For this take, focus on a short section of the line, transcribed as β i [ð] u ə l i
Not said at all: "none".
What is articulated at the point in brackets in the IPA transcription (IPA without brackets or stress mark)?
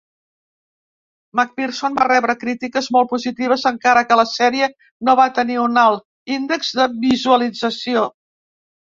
z